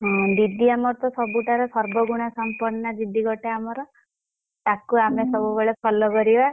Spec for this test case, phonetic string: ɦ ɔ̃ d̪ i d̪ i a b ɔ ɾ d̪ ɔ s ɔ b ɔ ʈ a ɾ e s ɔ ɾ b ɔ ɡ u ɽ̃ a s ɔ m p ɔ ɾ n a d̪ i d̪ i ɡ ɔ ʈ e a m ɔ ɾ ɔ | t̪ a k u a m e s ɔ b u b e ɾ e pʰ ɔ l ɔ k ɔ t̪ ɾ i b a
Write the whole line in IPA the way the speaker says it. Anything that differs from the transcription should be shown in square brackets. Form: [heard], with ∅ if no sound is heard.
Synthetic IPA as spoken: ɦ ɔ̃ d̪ i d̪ i a [m] ɔ ɾ [t̪] ɔ s ɔ b [u] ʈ a ɾ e s ɔ ɾ b ɔ ɡ u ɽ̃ a s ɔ m p ɔ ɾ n a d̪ i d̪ i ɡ ɔ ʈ e a m ɔ ɾ ɔ | t̪ a k u a m e s ɔ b u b e [ɭ] e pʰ ɔ l ɔ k ɔ [∅] ɾ i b a